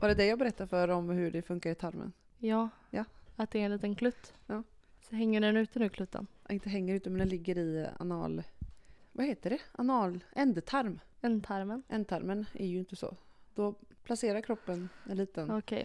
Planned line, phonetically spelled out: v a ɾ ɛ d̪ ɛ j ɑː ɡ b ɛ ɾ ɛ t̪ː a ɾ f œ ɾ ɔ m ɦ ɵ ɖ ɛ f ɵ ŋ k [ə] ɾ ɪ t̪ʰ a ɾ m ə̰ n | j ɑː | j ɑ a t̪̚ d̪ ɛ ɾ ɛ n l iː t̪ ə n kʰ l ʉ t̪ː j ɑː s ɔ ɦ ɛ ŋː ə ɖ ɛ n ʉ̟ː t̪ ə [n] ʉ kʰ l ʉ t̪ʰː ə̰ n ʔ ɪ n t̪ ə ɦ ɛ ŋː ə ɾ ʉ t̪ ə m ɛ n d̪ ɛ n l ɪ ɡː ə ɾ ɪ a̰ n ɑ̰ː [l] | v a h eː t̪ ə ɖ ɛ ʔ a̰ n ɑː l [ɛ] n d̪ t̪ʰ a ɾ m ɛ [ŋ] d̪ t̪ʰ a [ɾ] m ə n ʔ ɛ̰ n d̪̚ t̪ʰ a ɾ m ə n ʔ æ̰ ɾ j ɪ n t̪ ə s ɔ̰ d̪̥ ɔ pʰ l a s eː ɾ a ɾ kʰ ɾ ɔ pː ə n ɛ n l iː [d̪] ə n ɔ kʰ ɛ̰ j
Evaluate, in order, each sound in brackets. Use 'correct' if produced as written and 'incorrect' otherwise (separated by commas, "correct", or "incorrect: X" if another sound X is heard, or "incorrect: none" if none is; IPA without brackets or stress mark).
incorrect: a, correct, correct, correct, incorrect: n, correct, incorrect: t̪